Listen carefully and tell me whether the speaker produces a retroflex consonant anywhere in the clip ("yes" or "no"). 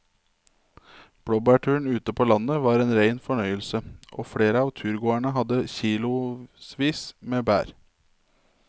yes